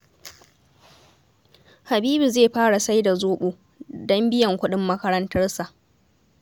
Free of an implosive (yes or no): no